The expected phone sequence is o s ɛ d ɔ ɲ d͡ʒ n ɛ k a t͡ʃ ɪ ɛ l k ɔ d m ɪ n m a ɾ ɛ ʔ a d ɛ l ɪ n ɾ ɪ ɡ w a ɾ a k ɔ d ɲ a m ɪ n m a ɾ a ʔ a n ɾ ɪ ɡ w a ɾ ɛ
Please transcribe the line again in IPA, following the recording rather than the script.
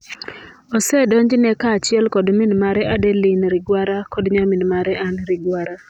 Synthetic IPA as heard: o s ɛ d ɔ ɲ d͡ʒ n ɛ k a t͡ʃ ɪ ɛ l k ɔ d m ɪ n m a ɾ ɛ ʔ a d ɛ l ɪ n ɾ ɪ ɡ w a ɾ a k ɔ d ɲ a m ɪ n m a ɾ ɛ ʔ a n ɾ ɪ ɡ w a ɾ a

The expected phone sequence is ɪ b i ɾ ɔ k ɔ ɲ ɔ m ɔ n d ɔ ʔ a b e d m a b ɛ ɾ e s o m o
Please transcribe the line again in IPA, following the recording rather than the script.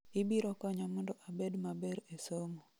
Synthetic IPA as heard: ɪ b i ɾ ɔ k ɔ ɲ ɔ m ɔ n d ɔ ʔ a b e d m a b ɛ ɾ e s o m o

